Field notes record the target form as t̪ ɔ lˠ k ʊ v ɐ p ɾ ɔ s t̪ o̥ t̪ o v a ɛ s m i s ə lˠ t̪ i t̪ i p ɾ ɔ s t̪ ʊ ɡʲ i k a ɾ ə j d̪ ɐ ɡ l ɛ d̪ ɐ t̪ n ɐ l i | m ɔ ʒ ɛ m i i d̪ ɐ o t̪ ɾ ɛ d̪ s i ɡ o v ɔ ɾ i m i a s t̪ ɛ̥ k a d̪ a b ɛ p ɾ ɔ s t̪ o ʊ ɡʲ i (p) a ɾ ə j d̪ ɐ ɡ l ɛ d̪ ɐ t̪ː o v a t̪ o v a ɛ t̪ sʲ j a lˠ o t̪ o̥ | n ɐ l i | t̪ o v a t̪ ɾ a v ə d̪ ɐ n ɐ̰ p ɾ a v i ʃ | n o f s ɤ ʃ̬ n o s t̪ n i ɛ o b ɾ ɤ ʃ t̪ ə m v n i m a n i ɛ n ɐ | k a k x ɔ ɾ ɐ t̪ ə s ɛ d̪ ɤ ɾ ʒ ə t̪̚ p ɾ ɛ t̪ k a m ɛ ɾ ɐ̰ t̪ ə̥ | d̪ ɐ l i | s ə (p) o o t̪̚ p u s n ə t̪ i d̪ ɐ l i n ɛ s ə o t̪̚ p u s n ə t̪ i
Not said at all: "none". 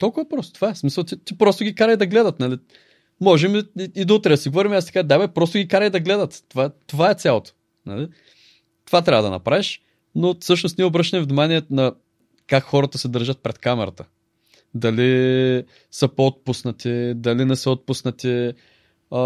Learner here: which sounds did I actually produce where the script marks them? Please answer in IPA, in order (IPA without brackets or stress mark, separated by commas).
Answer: k, p